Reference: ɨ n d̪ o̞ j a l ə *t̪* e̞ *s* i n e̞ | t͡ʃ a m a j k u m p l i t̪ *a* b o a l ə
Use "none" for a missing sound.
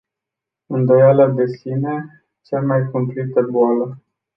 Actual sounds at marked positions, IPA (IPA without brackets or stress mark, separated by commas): d̪, s, ə